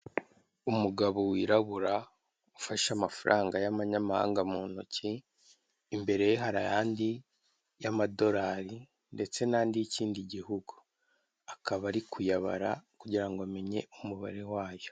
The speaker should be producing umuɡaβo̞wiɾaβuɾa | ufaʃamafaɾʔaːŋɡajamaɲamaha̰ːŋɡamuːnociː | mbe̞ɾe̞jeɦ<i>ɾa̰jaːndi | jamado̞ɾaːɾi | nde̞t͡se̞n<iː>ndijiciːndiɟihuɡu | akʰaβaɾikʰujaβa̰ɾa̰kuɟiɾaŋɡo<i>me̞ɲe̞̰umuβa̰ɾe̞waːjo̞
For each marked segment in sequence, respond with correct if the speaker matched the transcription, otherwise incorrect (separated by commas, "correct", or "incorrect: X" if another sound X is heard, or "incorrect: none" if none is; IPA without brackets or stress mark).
incorrect: a, incorrect: aː, incorrect: a